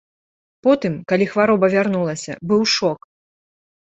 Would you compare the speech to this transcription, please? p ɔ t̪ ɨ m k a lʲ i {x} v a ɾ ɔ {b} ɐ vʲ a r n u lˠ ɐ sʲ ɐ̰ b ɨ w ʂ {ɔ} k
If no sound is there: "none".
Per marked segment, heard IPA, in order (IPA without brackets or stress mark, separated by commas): x, b, ɔ